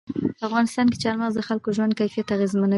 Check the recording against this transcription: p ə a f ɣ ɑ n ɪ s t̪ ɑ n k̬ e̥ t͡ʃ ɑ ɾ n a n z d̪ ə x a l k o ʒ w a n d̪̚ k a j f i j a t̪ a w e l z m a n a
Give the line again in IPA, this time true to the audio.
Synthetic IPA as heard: p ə a f ɣ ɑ n ɪ s t̪ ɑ n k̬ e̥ t͡ʃ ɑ ɾ m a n z d̪ ə x a l k o ʒ w a n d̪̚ k a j f i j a t̪ a ɣ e z m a n a